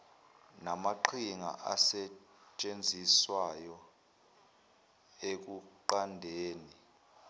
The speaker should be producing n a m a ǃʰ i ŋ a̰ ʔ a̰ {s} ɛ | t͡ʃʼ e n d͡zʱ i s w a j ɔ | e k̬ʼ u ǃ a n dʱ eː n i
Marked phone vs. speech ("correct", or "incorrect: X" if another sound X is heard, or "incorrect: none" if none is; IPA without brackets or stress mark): correct